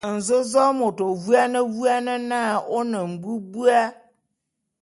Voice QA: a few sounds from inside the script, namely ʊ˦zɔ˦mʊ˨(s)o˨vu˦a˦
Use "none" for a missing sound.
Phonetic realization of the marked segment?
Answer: t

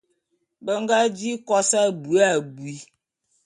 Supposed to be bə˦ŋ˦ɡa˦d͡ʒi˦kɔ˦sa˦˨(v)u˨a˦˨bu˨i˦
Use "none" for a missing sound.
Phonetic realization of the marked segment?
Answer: b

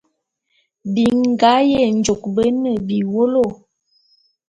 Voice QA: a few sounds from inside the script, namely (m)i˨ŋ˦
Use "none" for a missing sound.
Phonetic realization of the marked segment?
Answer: b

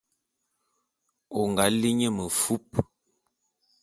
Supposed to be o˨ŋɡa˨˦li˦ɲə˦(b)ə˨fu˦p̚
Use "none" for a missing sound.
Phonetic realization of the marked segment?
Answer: m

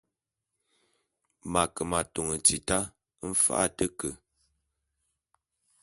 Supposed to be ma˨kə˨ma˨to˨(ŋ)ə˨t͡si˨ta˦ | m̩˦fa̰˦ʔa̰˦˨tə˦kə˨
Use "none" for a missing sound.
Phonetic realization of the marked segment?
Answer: ŋ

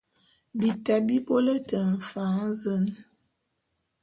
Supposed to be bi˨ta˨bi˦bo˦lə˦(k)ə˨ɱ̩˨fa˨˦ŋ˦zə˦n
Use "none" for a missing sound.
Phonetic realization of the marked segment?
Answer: t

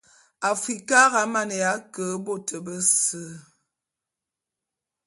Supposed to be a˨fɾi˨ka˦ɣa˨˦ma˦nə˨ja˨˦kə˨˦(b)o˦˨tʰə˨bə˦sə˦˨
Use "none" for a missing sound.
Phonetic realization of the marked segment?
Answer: b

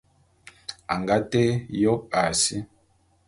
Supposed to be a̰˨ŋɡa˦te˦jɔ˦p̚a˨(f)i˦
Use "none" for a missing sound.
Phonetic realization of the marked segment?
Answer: s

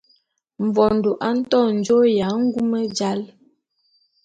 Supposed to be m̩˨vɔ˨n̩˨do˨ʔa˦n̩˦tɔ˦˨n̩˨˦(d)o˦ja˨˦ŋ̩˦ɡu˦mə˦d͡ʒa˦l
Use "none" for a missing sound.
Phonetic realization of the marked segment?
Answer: d͡ʒ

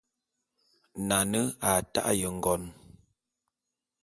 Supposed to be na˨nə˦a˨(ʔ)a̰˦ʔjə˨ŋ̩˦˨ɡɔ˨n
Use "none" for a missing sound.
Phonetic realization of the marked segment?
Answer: t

